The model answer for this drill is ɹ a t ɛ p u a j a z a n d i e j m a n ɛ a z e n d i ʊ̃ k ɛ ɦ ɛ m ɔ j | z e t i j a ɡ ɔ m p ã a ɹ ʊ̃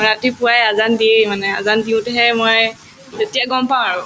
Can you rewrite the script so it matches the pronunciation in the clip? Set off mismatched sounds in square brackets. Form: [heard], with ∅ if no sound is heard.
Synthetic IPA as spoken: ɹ a t [i] p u a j a z a n d i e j m a n ɛ a z [a] n d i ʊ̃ [t] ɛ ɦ ɛ m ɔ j | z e t i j a ɡ ɔ m p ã a ɹ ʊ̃